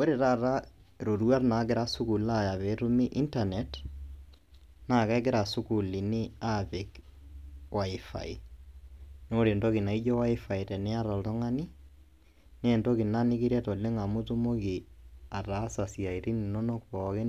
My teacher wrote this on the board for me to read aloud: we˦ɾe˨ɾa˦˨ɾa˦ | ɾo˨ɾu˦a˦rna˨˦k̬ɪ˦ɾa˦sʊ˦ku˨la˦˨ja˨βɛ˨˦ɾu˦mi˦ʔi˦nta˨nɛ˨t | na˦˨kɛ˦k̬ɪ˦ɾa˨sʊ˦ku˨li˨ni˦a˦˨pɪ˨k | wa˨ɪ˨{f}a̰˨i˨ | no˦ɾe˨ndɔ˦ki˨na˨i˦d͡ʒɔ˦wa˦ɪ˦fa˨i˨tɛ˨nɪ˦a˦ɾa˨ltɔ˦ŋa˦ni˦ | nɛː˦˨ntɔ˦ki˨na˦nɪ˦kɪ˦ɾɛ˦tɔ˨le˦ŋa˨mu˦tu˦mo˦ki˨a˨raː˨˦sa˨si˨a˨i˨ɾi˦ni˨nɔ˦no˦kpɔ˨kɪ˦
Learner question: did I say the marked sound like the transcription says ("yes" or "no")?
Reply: yes